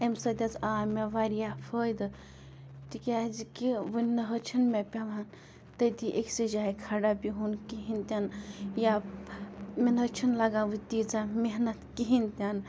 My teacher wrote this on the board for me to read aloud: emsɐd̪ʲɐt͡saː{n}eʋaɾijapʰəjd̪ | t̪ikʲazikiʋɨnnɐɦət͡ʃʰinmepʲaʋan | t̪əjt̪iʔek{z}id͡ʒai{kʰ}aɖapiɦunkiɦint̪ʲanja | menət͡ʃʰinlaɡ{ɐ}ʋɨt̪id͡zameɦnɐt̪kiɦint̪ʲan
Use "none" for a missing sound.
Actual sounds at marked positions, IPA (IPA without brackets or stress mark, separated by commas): m, s, kʰ, a